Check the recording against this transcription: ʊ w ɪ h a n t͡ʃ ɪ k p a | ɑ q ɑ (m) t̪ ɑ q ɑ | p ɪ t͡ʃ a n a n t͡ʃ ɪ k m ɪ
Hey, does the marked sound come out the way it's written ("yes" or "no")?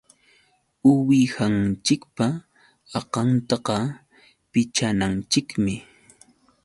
no